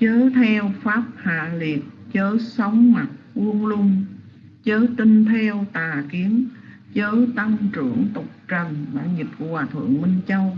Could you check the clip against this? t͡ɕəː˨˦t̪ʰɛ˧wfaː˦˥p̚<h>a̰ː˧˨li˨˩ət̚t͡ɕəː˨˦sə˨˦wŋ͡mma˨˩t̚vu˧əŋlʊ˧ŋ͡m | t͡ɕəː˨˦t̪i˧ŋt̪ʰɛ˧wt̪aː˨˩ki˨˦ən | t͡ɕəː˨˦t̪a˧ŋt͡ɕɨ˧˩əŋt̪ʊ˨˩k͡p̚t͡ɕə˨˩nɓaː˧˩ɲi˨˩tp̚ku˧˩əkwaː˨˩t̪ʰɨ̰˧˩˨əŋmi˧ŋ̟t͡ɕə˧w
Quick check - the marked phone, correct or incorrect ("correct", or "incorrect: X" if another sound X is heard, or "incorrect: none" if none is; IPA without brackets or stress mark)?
correct